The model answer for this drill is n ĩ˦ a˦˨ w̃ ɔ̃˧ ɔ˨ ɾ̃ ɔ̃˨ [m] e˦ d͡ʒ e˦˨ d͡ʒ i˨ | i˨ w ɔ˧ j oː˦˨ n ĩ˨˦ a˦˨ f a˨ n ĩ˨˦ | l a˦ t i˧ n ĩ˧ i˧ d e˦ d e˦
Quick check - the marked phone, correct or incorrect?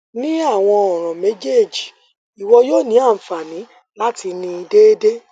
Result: correct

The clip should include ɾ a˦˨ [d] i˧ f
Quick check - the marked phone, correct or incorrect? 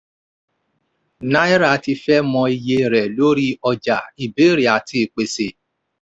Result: incorrect: t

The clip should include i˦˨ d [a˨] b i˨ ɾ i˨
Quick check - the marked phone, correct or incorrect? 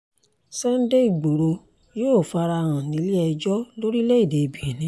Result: incorrect: e˨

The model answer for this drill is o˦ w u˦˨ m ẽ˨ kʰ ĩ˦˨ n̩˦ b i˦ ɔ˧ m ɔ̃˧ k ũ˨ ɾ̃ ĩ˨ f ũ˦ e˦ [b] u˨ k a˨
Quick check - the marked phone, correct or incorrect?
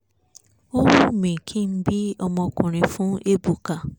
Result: correct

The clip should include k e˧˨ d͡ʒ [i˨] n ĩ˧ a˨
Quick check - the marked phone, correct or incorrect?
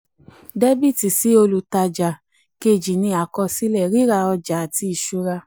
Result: correct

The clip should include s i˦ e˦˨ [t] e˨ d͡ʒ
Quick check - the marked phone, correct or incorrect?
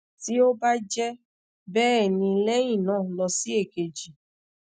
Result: incorrect: k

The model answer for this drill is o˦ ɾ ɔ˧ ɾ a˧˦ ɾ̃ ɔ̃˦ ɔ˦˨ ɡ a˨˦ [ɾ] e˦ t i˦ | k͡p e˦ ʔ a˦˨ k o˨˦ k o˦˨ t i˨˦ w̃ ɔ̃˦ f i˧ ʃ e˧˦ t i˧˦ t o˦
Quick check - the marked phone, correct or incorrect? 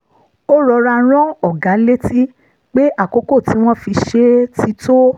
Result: incorrect: l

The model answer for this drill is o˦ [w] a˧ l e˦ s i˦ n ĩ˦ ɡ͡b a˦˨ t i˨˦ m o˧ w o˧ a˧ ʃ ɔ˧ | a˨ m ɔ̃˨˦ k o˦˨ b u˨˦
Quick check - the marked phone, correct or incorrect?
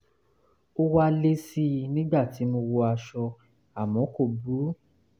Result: correct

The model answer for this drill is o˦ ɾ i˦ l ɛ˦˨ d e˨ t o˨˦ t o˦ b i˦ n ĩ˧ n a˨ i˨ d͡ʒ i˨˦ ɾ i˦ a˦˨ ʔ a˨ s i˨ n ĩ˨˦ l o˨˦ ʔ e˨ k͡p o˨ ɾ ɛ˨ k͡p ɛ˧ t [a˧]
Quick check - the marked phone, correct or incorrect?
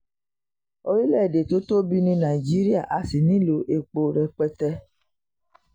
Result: incorrect: ɛ˧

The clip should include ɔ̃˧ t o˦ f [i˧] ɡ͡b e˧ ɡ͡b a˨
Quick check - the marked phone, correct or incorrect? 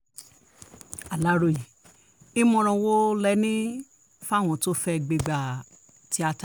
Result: incorrect: ɛ˧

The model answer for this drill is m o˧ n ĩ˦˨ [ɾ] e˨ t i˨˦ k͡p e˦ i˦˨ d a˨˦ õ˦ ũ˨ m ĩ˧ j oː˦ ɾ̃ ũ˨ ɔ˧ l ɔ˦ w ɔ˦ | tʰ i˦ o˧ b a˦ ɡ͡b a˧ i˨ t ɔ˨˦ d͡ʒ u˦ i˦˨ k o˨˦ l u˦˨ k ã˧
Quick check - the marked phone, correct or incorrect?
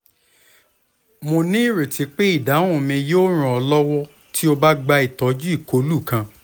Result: correct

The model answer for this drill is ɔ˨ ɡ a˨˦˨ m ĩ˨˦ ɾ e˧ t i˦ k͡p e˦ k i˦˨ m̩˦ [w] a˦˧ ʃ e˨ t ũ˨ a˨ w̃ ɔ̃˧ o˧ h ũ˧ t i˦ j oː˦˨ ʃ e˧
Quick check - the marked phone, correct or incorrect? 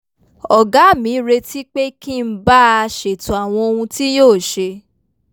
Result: incorrect: b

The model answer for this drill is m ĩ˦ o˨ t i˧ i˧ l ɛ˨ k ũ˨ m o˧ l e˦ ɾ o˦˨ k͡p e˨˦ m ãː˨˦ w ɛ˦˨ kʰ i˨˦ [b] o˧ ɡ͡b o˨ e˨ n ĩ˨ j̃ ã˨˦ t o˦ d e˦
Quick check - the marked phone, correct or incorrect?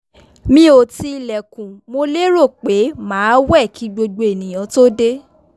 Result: incorrect: ɡ͡b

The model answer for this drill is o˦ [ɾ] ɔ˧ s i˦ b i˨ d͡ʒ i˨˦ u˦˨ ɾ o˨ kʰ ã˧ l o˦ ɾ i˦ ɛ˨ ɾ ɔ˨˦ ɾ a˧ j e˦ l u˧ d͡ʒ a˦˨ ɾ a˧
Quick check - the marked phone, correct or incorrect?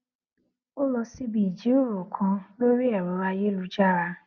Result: incorrect: l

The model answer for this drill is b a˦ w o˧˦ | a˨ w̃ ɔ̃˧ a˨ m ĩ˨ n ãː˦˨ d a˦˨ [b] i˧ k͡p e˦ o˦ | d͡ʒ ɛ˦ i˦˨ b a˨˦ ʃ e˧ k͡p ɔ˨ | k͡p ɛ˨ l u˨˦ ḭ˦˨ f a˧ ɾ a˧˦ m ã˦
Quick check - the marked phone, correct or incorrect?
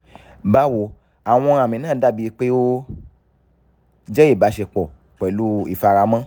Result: correct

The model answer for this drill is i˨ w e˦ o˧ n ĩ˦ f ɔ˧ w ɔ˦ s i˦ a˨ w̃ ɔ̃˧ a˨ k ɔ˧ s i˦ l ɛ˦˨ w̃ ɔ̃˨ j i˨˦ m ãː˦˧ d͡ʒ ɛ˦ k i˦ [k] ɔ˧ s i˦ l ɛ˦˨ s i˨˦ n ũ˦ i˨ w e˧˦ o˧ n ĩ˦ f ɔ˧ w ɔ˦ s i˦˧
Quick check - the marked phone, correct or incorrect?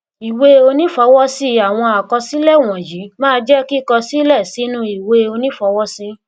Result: correct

